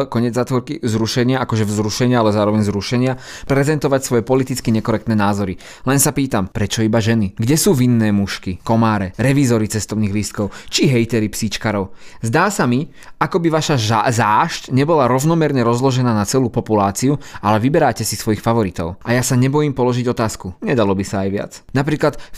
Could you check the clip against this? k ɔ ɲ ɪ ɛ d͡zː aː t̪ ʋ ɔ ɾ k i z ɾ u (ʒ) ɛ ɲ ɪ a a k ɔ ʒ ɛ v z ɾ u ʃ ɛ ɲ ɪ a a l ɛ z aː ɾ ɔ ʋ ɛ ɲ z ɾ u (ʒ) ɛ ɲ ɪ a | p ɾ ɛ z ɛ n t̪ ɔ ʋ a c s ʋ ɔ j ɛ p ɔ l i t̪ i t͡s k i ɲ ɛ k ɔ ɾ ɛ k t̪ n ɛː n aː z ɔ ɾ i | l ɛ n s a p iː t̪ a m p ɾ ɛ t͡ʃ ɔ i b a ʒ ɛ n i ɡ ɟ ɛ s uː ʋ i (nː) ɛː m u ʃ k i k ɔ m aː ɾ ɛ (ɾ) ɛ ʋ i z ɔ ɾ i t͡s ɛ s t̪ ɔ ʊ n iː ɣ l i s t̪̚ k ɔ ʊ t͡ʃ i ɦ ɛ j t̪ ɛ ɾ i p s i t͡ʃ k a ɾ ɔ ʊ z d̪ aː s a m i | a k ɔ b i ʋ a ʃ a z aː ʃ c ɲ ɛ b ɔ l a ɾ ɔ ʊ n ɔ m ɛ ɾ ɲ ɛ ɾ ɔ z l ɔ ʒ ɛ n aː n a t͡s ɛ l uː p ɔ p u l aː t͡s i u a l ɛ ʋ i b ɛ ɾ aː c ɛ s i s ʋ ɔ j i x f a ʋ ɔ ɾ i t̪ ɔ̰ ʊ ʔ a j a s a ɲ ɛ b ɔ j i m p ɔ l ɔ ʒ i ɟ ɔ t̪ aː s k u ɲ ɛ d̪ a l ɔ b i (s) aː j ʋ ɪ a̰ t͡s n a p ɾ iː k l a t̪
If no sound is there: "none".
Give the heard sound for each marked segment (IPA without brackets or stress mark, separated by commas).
ʃ, ʃ, nː, ɾ, s